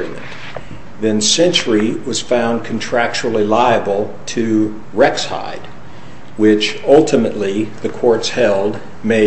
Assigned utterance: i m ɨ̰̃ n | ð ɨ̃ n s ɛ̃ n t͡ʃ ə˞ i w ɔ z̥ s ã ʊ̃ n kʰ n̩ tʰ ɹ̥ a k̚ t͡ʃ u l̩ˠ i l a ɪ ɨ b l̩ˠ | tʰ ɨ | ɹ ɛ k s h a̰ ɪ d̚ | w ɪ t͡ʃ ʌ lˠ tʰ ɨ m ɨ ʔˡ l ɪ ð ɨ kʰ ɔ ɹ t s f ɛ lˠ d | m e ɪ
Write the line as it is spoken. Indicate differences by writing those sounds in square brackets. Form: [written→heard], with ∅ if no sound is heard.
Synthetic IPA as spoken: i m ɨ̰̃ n | ð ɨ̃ n s ɛ̃ n t͡ʃ ə˞ i w [ɔ→ʌ] z̥ [s→f] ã ʊ̃ n kʰ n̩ tʰ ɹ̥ [a→æ] k̚ t͡ʃ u l̩ˠ i l a ɪ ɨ b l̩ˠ | tʰ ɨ | ɹ ɛ k s h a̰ ɪ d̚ | w ɪ t͡ʃ ʌ lˠ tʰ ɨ m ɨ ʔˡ l [ɪ→i] ð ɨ kʰ ɔ ɹ t s [f→h] ɛ lˠ d | m e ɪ